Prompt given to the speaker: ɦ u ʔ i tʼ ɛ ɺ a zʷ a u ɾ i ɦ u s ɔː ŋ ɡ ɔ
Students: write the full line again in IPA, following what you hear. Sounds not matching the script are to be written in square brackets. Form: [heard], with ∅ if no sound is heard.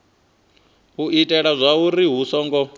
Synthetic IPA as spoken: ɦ u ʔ i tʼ ɛ ɺ a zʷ a u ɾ i ɦ u s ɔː ŋ ɡ ɔ